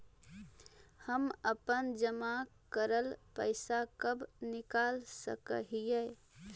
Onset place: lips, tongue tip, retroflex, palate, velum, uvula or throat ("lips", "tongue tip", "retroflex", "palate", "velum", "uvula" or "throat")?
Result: throat